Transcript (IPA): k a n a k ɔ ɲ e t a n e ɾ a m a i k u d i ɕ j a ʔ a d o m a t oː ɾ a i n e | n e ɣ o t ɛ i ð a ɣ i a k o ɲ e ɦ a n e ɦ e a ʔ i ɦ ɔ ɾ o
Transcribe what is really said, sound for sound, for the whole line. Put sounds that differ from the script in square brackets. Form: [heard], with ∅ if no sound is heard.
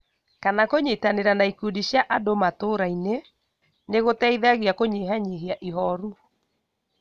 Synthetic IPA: k a n a k [o] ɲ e t a n e ɾ a [n] a i k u d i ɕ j a ʔ a d o m a t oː ɾ a i n e | n e ɣ o t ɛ i ð a ɣ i a k o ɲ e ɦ a [ɲ] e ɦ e a ʔ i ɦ ɔ ɾ [u]